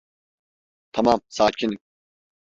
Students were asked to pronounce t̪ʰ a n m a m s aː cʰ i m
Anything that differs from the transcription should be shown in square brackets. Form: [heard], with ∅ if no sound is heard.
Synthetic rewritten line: t̪ʰ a [∅] m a m s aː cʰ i [n]